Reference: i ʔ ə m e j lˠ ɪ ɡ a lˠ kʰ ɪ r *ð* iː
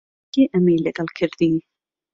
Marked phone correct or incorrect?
correct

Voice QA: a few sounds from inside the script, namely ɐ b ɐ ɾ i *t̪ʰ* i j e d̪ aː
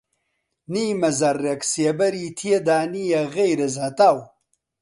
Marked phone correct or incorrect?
correct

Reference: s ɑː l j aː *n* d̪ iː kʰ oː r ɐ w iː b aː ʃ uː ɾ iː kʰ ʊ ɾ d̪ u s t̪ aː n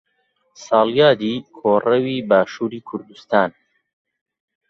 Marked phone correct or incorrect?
incorrect: none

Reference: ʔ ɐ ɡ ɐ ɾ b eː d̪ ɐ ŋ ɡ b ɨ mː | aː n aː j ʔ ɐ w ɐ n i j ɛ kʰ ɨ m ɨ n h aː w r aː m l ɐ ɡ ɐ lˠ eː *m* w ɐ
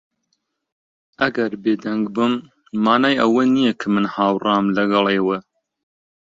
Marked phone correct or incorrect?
incorrect: none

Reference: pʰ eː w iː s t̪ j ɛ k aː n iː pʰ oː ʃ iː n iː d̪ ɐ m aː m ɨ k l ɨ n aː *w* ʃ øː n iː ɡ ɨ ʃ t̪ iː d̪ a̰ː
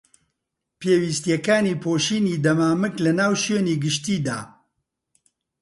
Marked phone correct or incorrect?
correct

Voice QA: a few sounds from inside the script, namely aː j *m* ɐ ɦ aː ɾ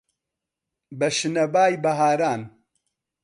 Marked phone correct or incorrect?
incorrect: b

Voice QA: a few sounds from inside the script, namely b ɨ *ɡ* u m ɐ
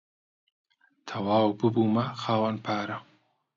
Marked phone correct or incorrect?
incorrect: b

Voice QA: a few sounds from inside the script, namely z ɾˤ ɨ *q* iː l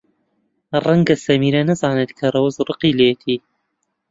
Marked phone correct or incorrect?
correct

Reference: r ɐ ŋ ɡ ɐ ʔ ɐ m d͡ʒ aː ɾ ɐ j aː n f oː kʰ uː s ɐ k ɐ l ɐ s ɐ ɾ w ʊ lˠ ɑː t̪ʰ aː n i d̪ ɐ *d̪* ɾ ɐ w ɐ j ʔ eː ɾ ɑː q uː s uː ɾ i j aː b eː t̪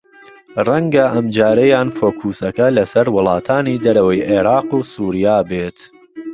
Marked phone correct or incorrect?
incorrect: none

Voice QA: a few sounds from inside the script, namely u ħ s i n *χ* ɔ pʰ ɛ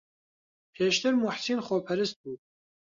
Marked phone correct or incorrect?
correct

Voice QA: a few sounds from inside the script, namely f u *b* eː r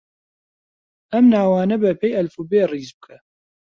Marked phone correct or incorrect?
correct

